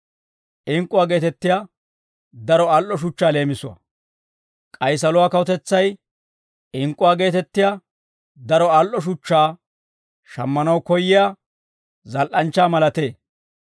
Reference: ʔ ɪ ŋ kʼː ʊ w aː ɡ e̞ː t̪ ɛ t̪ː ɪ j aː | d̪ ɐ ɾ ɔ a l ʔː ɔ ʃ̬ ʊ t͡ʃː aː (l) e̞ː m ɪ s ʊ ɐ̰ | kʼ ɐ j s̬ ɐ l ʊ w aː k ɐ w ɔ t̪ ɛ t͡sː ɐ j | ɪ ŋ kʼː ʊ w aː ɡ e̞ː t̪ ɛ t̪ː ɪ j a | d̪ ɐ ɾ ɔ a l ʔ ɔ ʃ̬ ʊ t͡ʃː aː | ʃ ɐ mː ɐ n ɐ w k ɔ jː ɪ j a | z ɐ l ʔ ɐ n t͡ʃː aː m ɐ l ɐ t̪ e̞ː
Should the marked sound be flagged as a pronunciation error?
no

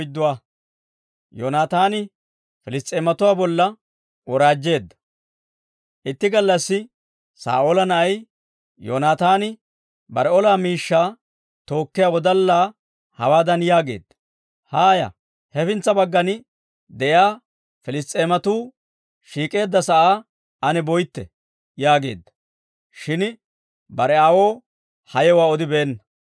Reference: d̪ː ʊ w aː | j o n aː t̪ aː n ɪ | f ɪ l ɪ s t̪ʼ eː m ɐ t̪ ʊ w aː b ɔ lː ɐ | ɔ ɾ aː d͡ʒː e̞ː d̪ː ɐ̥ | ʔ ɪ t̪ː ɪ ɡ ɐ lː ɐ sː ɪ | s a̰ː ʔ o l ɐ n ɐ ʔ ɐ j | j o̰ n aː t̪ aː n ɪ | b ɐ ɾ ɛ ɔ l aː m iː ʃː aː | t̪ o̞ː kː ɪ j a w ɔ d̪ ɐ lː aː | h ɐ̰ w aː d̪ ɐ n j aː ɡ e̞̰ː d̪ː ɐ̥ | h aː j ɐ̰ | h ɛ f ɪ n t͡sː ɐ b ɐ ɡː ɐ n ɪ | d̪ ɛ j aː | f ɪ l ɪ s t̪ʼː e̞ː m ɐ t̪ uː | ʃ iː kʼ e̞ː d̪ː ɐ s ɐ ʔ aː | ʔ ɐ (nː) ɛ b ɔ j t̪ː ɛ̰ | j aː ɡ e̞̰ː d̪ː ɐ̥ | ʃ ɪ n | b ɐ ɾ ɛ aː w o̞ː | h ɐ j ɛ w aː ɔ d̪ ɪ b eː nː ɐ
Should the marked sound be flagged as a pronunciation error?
yes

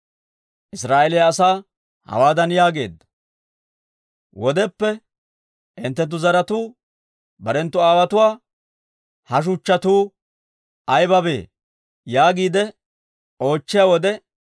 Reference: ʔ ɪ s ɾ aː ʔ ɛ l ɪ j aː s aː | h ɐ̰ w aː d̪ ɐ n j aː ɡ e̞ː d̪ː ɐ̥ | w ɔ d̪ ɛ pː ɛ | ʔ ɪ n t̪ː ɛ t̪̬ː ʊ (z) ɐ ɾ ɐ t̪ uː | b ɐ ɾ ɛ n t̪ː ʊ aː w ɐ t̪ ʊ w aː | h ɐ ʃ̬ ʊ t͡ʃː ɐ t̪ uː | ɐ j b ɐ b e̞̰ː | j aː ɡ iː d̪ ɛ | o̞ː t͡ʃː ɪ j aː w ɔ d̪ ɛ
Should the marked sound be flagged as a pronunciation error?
no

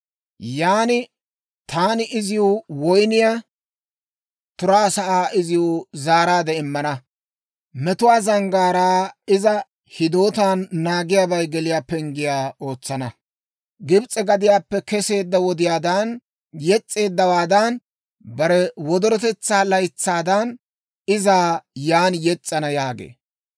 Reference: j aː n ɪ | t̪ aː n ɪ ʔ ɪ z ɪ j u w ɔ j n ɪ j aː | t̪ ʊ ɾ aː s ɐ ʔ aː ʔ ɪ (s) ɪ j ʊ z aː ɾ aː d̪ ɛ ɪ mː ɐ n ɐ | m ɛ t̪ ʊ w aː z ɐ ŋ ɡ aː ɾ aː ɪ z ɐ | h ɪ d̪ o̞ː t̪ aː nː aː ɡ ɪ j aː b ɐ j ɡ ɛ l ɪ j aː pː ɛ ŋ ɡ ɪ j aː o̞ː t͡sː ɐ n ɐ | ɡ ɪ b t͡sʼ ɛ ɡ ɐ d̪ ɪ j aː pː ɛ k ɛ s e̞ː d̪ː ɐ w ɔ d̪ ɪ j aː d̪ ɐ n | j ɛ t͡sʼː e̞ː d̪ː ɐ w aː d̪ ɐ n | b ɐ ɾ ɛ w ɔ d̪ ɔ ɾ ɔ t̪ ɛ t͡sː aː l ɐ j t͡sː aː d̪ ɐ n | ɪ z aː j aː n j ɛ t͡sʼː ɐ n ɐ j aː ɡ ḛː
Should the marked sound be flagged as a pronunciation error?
yes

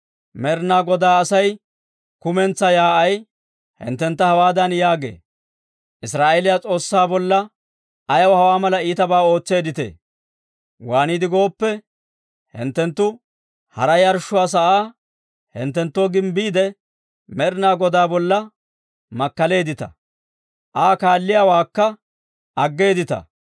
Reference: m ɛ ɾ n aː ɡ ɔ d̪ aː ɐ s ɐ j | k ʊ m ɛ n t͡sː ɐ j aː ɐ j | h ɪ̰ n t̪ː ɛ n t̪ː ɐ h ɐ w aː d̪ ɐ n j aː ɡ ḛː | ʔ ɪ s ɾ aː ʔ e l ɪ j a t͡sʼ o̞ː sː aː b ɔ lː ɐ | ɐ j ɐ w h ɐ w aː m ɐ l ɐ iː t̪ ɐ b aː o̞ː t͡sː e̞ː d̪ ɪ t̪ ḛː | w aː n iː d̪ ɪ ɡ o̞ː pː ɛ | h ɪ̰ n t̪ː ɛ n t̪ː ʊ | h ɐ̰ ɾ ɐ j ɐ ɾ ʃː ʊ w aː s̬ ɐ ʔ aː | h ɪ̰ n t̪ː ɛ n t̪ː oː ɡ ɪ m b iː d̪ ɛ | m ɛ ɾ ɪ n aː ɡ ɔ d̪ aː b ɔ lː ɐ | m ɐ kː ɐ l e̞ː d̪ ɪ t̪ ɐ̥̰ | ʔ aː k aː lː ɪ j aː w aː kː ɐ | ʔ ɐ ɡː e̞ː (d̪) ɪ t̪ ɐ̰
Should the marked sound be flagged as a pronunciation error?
no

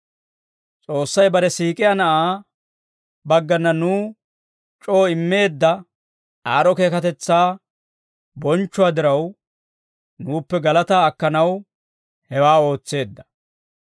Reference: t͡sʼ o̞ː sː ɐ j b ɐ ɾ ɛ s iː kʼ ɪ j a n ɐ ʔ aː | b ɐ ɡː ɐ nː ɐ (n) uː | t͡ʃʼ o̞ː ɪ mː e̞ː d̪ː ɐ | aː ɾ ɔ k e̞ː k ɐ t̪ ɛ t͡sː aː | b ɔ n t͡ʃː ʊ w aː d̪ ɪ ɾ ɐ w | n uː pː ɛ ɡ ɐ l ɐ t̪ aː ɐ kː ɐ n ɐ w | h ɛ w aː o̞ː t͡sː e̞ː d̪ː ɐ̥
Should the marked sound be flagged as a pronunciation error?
no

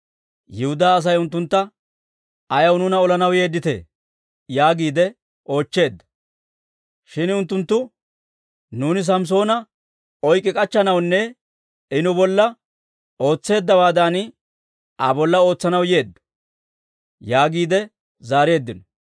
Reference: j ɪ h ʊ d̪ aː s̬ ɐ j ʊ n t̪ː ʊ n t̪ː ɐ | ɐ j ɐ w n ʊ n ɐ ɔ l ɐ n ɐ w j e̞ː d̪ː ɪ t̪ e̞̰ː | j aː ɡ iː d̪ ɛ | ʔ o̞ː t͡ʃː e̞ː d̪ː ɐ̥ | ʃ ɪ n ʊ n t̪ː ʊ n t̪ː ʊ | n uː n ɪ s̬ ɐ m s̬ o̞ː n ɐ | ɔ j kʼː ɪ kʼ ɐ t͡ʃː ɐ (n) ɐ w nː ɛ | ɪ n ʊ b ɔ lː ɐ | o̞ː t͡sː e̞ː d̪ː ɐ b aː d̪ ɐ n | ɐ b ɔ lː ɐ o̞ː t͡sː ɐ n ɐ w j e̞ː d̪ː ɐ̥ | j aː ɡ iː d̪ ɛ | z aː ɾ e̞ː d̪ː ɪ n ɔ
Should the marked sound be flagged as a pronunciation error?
no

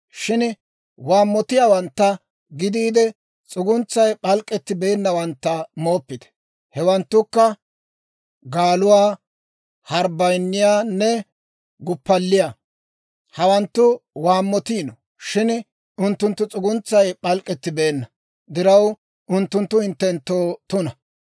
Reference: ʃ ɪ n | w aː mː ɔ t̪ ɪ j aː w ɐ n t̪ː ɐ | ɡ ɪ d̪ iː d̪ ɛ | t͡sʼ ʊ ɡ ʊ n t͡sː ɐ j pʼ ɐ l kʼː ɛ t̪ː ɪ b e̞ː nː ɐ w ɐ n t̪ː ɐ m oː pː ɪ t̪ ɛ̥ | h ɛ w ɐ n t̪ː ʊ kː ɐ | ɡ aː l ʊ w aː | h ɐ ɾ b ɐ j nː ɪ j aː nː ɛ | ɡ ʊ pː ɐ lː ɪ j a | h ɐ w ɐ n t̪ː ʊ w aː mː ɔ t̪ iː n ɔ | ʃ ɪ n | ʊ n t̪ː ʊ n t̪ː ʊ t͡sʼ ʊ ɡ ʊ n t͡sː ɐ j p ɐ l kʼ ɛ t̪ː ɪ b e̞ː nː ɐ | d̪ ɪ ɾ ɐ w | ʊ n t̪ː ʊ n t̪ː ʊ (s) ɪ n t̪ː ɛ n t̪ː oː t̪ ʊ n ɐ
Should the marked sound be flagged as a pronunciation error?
yes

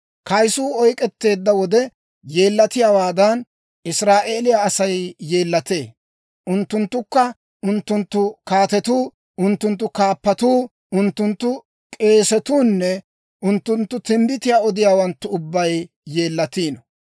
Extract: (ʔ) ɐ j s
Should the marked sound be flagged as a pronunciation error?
yes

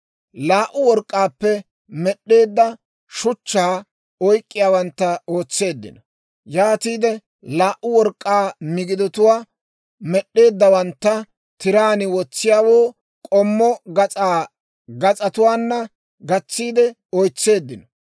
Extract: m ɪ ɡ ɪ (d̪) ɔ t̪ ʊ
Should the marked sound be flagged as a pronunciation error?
no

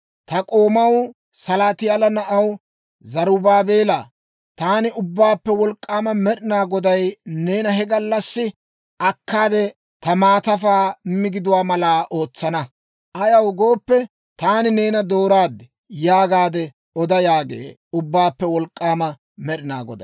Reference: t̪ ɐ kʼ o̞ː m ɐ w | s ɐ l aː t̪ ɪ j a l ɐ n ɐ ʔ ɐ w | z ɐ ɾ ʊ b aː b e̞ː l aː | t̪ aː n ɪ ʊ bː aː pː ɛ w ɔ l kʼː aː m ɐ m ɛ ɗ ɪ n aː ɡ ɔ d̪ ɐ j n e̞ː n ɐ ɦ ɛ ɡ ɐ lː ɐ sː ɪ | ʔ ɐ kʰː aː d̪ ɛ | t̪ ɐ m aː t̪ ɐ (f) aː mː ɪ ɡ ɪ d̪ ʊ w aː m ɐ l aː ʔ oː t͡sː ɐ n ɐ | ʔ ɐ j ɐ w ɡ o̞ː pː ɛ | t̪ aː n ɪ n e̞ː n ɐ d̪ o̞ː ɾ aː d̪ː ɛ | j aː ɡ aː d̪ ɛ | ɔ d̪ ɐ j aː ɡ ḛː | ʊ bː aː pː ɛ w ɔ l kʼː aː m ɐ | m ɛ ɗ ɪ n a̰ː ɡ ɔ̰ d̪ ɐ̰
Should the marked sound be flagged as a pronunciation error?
no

